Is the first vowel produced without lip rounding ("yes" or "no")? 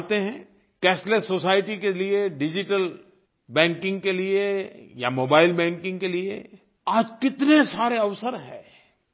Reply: yes